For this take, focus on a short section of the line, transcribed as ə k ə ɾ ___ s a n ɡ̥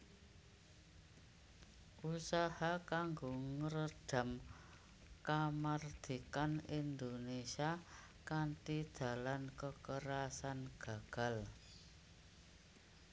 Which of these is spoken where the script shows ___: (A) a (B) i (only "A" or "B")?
A